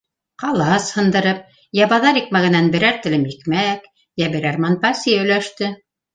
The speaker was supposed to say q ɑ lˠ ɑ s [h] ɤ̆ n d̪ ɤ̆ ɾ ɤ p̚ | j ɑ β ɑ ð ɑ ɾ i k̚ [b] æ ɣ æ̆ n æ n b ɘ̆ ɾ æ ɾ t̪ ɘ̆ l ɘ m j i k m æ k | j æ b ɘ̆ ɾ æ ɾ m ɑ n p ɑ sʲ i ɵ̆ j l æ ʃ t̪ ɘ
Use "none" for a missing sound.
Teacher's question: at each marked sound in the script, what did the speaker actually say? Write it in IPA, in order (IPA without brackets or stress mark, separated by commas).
h, m